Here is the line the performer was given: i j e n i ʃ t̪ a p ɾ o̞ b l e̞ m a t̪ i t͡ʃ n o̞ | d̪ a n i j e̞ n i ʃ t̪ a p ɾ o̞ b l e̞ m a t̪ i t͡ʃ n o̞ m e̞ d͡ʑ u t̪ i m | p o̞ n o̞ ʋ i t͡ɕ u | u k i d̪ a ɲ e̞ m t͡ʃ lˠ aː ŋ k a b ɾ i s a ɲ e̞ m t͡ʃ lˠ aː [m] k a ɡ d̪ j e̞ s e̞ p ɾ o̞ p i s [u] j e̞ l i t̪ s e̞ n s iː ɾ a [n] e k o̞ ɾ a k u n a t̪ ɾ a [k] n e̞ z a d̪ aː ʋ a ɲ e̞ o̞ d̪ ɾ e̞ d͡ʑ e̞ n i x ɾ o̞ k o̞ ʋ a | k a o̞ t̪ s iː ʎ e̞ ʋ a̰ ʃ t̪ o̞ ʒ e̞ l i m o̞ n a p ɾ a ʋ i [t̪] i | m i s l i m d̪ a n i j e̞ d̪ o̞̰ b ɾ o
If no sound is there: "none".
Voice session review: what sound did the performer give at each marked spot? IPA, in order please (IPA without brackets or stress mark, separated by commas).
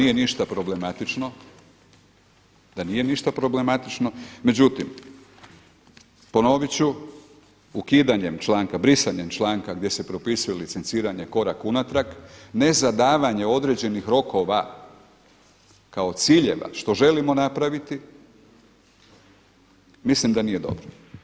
ŋ, u, ɲ, k, t̪